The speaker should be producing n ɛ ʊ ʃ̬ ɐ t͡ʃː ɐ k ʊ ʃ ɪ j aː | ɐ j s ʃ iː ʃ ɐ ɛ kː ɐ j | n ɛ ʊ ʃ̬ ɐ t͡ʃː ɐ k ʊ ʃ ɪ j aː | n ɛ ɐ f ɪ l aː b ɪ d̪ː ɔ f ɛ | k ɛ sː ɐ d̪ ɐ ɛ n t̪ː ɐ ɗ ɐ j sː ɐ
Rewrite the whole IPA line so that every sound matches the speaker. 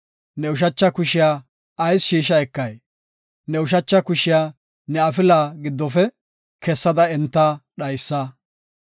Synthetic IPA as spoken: n ɛ ʊ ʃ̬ ɐ t͡ʃː ɐ k ʊ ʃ ɪ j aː | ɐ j s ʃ iː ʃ ɐ ɛ kː ɐ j | n ɛ ʊ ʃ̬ ɐ t͡ʃː ɐ k ʊ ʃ ɪ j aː | n ɛ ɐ f ɪ l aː ɡ ɪ d̪ː ɔ f ɛ | k ɛ sː ɐ d̪ ɐ ɛ n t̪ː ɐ ɗ ɐ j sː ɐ